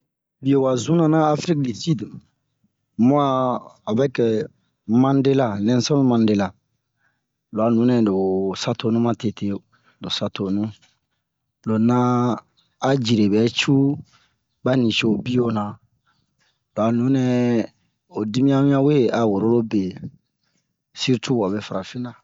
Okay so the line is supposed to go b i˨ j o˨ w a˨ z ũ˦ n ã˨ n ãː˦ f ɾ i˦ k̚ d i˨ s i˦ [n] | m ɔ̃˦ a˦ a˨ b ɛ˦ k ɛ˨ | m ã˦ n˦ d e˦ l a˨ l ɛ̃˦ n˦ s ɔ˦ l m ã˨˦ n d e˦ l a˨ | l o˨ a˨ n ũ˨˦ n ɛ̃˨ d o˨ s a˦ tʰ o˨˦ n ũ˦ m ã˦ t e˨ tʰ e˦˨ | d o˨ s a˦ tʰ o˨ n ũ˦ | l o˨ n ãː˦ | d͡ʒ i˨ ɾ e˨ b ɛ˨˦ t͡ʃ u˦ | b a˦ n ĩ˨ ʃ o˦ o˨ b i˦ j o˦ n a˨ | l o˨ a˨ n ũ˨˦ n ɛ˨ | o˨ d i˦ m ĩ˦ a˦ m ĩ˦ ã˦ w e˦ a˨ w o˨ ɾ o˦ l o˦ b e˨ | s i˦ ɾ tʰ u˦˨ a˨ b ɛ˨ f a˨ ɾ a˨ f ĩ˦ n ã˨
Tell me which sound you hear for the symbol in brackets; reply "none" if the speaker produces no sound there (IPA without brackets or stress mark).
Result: d